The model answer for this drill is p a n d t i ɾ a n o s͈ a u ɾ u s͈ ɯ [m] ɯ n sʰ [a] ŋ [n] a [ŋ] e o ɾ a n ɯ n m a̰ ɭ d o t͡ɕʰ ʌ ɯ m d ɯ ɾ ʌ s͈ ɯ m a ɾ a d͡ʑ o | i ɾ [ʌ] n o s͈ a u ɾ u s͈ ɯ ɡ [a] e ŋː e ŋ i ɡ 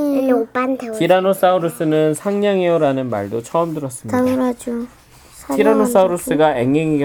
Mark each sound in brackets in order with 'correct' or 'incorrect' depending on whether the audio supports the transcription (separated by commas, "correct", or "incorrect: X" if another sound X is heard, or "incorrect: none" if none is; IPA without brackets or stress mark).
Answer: incorrect: n, correct, incorrect: ɲ, correct, incorrect: a, correct